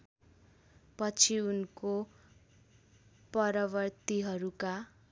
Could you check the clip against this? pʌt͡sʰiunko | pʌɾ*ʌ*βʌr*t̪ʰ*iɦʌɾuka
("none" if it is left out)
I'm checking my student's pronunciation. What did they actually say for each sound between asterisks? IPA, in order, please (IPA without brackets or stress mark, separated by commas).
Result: ʌ, t̪